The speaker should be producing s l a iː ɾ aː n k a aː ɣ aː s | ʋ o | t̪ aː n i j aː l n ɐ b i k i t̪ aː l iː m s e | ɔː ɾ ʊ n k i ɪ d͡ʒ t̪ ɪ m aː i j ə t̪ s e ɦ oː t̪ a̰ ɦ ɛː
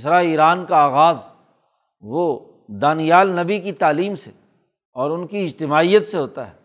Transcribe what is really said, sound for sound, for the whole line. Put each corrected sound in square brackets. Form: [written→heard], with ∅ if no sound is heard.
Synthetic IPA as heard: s [l→ɾ] a iː ɾ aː n k a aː ɣ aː [s→z] | ʋ o | [t̪→d̪] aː n i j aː l n ɐ b i k i t̪ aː l iː m s e | ɔː ɾ ʊ n k i ɪ d͡ʒ t̪ ɪ m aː i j ə t̪ s e ɦ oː t̪ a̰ ɦ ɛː